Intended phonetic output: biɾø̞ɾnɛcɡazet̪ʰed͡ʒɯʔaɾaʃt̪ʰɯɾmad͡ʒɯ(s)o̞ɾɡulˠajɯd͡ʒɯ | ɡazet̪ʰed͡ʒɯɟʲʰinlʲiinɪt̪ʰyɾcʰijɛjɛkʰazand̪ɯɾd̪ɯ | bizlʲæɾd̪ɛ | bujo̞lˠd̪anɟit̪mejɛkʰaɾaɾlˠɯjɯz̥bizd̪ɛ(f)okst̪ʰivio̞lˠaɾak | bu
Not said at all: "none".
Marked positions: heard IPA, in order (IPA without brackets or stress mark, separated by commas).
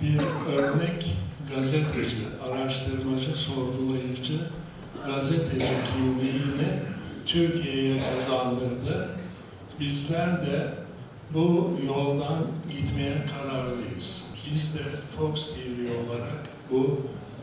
s, f